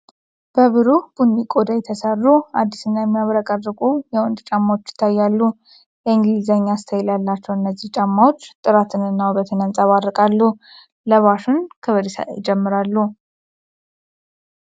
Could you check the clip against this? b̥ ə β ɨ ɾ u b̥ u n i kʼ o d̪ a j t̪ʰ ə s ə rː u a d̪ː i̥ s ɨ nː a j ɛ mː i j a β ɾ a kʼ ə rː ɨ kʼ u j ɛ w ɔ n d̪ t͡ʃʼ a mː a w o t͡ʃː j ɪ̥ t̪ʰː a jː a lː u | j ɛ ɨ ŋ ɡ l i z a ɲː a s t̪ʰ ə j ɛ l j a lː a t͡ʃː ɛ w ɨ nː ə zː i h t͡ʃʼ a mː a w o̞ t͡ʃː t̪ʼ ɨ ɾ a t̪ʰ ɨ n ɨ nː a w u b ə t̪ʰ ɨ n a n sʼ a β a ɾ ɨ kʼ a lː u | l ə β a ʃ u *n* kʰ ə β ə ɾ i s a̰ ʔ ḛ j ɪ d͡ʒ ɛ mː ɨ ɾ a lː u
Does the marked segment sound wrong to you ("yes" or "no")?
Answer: no